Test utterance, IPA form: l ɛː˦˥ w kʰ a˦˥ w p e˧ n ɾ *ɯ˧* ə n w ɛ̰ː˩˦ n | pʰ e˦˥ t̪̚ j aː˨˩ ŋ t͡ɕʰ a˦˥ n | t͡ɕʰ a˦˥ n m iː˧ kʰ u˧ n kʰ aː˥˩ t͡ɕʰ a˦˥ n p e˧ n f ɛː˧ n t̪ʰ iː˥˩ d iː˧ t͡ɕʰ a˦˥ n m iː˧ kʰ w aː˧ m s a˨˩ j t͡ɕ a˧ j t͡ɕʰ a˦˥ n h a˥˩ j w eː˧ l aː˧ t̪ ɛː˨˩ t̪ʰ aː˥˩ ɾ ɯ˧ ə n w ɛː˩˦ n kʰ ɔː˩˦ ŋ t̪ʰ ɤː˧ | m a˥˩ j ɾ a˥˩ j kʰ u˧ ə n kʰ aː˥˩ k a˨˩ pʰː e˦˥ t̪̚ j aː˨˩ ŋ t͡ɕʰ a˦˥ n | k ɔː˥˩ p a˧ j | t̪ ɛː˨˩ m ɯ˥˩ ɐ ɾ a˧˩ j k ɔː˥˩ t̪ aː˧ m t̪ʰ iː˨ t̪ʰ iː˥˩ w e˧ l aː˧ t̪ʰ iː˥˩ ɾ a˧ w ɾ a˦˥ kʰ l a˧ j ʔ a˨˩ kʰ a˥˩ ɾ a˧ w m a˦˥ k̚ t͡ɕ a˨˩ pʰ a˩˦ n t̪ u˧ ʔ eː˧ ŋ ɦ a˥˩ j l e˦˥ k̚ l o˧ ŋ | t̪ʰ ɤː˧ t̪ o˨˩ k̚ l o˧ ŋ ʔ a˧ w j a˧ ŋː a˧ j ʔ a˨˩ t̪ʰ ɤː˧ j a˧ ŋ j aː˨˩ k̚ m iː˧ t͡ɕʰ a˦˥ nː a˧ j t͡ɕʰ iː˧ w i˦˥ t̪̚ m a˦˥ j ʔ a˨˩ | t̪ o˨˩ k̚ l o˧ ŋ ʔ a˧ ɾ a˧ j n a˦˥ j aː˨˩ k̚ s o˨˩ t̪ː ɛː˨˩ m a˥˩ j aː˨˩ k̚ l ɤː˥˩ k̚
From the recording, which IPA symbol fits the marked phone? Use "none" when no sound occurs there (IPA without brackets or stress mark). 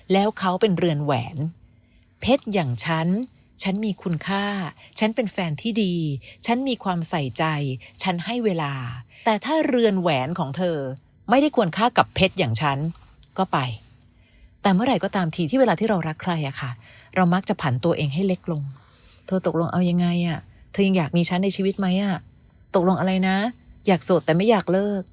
ɯ˧